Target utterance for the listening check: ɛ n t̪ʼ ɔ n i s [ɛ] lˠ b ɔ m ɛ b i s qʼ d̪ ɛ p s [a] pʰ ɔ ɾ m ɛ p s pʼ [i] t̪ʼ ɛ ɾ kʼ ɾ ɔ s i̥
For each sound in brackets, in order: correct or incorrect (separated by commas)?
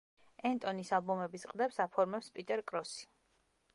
incorrect, correct, correct